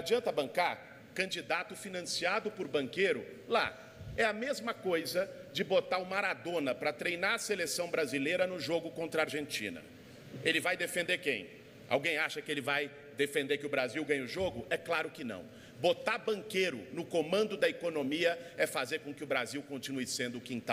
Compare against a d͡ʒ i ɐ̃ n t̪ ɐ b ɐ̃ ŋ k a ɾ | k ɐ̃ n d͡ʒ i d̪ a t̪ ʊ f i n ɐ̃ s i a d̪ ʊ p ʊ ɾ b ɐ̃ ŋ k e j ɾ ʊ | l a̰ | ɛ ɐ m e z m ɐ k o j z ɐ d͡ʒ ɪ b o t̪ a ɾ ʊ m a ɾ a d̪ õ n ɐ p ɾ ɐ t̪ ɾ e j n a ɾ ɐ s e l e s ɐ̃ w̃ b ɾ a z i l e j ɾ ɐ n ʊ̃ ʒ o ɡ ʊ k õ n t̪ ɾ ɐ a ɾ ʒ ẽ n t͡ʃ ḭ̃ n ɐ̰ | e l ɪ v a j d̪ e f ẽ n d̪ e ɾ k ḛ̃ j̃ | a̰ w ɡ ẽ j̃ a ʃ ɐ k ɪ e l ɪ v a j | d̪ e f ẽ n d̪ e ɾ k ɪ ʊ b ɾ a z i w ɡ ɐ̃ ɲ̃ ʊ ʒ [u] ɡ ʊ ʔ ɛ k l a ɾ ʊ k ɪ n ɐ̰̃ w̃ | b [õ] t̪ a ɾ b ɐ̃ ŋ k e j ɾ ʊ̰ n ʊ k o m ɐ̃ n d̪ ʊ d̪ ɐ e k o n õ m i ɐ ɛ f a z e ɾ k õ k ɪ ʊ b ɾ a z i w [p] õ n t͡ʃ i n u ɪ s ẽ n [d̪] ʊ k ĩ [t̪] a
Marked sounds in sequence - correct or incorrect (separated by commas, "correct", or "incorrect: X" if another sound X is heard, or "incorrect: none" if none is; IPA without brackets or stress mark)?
incorrect: o, incorrect: o, incorrect: k, correct, correct